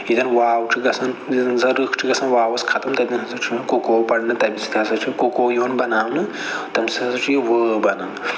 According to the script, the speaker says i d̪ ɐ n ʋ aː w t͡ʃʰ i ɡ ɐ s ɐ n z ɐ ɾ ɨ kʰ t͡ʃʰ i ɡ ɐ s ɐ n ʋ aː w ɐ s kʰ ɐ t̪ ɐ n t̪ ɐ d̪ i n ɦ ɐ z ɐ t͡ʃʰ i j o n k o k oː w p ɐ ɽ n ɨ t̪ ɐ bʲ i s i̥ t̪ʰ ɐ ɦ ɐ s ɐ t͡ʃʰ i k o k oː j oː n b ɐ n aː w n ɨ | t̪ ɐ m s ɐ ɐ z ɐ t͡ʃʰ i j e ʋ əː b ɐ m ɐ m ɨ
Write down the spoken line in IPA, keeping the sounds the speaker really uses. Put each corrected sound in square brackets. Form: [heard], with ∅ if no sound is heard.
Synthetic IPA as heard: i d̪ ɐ n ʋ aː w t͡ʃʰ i ɡ ɐ s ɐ n z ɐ ɾ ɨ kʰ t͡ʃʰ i ɡ ɐ s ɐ n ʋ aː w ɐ s kʰ ɐ t̪ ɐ [m] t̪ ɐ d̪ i n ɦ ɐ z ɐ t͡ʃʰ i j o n k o k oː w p ɐ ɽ n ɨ t̪ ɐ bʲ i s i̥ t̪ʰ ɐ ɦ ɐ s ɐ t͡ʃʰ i k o k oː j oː n b ɐ n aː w n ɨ | t̪ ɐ m s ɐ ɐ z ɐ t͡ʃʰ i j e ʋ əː b ɐ [n] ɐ [n] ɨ